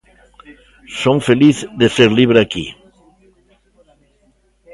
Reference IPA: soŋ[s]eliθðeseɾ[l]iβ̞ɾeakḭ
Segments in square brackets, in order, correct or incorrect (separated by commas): incorrect, correct